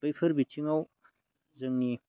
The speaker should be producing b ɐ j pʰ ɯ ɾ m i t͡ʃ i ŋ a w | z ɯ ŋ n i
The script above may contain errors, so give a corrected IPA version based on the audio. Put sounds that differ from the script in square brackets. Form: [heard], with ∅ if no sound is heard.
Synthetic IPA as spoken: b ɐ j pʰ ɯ ɾ [b] i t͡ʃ i ŋ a w | z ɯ ŋ n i